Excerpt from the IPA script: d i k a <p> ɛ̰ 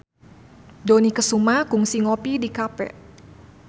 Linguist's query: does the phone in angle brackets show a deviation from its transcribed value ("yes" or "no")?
no